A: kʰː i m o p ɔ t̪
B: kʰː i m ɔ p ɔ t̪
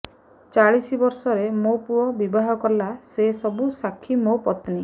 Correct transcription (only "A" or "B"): A